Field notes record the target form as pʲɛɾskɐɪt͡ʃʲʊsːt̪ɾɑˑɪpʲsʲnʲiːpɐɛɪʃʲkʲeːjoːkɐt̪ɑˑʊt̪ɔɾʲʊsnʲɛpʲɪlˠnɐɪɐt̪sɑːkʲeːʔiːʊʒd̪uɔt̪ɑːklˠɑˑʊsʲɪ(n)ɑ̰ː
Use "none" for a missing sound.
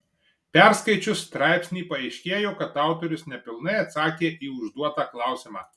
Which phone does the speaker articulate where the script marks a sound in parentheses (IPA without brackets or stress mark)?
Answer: m